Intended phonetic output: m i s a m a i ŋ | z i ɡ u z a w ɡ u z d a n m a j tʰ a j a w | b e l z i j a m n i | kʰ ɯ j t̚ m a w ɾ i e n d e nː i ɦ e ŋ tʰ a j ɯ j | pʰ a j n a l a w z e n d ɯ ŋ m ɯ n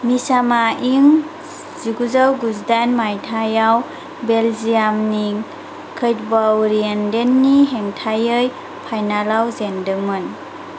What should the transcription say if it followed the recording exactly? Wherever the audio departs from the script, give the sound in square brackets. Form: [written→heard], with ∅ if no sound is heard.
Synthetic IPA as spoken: m i s a m a i ŋ | z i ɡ u z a w ɡ u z d a n m a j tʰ a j a w | b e l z i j a m n i | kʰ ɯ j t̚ [m→b] a w ɾ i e n d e nː i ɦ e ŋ tʰ a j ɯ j | pʰ a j n a l a w z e n d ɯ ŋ m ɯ n